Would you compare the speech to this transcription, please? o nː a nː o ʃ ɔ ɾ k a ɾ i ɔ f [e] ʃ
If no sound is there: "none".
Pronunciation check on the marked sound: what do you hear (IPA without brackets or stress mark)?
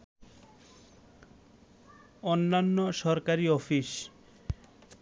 i